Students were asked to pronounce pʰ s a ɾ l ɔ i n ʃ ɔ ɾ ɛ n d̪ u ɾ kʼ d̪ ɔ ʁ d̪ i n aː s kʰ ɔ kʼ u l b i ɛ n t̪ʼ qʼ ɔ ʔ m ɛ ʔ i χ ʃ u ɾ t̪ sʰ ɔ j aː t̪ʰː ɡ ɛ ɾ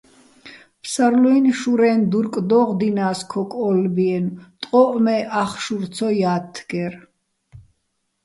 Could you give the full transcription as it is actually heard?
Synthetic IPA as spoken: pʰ s a ɾ l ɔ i n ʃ u ɾ ɛ n d̪ u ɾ kʼ d̪ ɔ ʁ d̪ i n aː s kʰ ɔ kʼ ɔ l b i ɛ n t̪ʼ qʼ ɔ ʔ m ɛ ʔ a χ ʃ u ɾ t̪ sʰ ɔ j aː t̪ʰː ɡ ɛ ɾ